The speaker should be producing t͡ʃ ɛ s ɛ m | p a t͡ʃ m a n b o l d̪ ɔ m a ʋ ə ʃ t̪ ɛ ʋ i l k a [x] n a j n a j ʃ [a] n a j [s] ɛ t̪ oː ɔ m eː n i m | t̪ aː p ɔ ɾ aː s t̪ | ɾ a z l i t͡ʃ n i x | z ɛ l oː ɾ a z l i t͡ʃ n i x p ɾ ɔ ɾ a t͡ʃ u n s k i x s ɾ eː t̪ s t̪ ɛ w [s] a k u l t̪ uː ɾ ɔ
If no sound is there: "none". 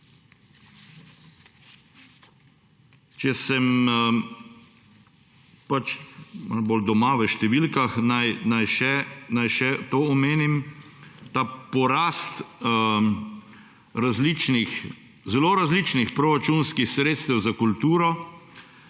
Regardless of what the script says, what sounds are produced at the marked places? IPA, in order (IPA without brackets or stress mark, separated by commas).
x, ɛ, ʃ, z